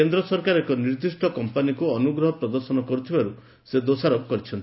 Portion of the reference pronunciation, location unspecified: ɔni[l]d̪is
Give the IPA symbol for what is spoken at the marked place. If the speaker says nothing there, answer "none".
ɾ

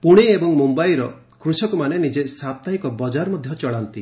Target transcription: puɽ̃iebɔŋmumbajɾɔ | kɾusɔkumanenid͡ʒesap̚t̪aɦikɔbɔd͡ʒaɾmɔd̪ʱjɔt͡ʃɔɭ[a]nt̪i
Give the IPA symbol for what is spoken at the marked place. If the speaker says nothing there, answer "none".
a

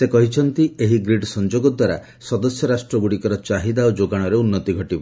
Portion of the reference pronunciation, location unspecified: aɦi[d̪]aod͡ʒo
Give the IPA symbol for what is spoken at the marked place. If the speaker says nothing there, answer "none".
d̪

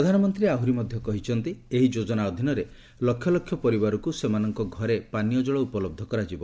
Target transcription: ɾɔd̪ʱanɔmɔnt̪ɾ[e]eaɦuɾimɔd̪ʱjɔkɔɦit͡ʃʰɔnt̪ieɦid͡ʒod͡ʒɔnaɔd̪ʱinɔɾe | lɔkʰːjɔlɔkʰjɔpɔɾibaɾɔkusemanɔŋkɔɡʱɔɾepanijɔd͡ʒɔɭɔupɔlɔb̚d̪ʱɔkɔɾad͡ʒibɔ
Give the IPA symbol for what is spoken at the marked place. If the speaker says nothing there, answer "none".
i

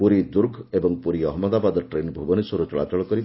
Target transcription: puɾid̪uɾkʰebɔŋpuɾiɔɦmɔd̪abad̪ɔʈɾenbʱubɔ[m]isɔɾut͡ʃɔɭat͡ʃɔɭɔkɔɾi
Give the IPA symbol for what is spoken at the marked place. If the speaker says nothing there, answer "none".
n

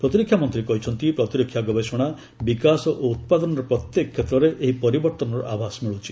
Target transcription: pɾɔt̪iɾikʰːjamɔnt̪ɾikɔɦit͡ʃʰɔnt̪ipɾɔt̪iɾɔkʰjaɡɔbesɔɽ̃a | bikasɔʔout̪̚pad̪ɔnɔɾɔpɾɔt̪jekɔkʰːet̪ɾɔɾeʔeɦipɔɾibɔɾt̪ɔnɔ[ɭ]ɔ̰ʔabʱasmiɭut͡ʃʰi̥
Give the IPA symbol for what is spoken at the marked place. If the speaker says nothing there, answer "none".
ɾ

